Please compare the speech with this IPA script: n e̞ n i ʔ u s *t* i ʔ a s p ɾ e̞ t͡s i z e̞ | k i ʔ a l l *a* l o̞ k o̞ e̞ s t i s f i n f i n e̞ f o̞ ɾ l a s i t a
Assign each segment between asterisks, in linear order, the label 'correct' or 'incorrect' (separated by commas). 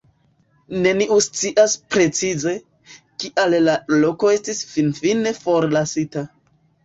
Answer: incorrect, correct